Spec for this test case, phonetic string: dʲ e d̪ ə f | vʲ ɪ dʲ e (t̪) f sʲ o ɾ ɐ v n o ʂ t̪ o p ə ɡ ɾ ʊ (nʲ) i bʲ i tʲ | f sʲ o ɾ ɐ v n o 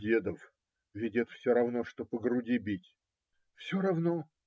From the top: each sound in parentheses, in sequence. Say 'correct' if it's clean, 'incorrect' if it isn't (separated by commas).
correct, incorrect